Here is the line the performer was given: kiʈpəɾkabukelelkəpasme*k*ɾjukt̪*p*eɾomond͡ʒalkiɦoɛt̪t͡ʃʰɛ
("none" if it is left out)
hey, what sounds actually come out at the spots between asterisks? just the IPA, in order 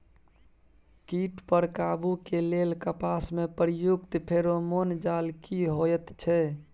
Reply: p, pʰ

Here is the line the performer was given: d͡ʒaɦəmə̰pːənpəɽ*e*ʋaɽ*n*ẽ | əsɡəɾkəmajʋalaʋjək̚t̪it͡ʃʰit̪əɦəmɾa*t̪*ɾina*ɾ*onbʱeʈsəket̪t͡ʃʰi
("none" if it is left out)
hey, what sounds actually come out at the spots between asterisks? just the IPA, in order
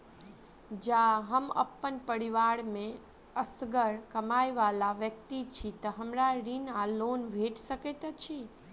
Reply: i, m, none, l

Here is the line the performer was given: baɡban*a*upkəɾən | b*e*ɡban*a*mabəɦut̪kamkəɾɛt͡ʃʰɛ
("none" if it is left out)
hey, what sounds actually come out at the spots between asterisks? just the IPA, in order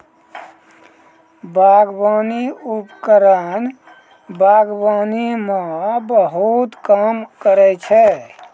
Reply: i, a, i

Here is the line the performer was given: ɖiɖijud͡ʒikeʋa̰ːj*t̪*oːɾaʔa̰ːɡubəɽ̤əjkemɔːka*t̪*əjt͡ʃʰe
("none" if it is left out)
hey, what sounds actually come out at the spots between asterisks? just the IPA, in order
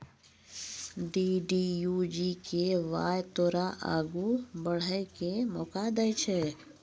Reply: t̪, d̪

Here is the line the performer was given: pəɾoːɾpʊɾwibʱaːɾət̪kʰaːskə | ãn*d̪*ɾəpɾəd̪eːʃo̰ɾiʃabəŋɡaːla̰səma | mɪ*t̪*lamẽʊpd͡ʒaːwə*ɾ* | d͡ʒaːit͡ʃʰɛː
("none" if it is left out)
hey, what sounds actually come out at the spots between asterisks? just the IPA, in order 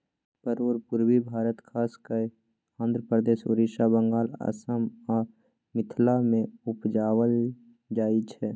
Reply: d̪, t̪ʰ, l

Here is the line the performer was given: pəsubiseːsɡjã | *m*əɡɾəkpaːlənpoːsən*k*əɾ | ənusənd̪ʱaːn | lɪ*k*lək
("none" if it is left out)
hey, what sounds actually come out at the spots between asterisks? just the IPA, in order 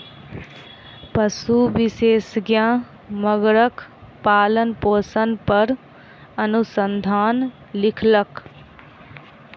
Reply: m, p, kʰ

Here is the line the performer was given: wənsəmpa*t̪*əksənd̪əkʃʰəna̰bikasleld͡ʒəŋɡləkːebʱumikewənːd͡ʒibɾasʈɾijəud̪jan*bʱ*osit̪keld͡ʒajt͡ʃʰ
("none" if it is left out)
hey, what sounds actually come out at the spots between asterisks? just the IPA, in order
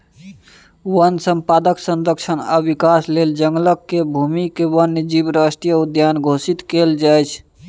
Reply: d̪, ɡʱ

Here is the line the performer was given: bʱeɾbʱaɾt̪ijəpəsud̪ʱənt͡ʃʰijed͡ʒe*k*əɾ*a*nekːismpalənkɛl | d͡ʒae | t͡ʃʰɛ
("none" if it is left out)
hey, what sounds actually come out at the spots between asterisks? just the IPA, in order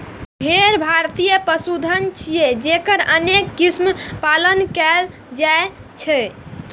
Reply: k, ə

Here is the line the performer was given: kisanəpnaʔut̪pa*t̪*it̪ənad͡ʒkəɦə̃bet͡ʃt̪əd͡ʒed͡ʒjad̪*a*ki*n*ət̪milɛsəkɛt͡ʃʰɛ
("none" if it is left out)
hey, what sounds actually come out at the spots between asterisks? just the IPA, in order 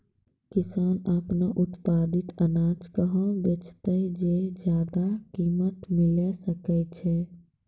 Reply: d̪, a, m

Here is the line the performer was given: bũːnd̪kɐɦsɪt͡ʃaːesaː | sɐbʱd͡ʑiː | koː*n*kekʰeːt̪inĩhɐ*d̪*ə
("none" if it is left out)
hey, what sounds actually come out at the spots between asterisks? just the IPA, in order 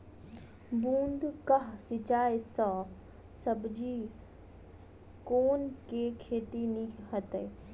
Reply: n, t̪

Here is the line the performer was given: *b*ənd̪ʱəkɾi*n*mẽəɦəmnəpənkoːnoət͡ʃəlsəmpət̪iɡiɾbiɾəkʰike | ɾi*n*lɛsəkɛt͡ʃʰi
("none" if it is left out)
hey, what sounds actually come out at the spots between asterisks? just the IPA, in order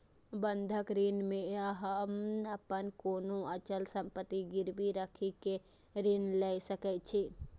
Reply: b, n, n

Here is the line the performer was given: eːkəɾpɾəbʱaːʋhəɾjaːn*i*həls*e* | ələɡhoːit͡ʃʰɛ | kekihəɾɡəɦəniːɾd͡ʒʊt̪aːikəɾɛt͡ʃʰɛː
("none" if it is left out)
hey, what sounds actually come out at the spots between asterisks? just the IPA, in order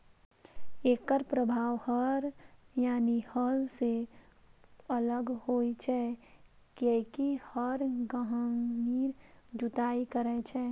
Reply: i, e

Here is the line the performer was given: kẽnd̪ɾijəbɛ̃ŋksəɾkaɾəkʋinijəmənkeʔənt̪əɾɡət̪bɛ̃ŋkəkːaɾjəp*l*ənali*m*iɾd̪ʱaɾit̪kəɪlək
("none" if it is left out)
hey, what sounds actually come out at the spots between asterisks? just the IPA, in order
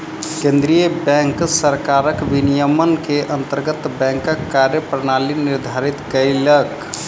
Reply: ɾ, n

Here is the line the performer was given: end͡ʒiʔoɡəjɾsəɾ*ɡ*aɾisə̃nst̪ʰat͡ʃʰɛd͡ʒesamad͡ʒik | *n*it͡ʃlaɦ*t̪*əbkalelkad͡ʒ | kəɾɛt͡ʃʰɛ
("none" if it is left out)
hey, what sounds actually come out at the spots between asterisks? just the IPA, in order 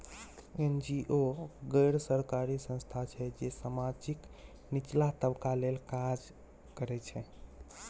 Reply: k, n, t̪

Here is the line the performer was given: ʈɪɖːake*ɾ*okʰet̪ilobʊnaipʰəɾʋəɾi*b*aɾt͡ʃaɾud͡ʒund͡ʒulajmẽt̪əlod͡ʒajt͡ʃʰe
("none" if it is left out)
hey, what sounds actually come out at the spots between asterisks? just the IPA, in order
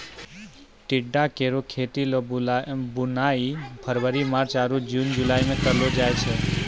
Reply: ɾ, m

